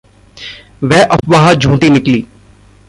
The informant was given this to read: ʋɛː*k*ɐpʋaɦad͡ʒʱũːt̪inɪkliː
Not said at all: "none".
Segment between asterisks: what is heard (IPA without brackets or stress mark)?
ʔ